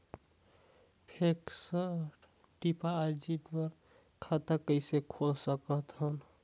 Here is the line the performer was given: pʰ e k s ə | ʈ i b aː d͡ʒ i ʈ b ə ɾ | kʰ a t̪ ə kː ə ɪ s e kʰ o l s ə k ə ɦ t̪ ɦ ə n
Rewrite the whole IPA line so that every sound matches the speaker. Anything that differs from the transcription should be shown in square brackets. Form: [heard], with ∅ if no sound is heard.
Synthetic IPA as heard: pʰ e k s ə | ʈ i [p] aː d͡ʒ i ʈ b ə ɾ | kʰ a t̪ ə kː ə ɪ s e kʰ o l s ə k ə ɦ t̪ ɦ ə n